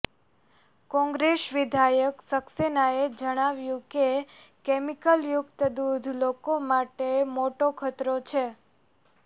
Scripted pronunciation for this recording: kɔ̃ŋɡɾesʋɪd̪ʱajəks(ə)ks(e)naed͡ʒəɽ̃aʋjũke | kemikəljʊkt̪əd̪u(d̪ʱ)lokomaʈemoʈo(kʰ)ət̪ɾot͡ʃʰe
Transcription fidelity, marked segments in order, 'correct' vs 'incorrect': correct, correct, correct, correct

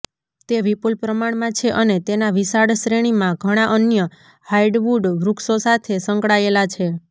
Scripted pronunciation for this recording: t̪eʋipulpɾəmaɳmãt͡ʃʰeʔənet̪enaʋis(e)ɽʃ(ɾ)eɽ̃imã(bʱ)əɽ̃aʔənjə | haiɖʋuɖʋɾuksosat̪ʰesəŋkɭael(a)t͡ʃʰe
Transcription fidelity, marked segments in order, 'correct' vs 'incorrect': incorrect, correct, incorrect, correct

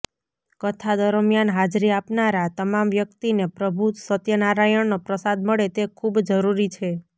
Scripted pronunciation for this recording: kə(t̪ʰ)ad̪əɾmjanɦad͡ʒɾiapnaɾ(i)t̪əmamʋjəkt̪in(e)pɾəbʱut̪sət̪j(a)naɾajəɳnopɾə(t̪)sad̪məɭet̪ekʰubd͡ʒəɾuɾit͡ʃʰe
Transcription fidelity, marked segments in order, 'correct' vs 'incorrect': correct, incorrect, correct, incorrect, incorrect

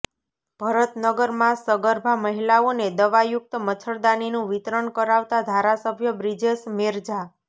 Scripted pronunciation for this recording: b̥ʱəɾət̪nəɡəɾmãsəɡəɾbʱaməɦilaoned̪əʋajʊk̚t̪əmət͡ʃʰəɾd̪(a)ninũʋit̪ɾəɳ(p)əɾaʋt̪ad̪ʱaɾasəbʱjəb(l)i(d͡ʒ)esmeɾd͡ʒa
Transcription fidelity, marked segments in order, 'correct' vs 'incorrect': correct, incorrect, incorrect, correct

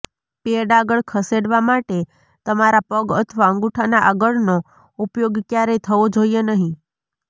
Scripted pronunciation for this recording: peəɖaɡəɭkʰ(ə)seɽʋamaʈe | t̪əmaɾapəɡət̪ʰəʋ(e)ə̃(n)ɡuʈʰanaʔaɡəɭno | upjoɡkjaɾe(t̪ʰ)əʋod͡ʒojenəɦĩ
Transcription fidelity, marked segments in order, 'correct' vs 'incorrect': correct, incorrect, incorrect, correct

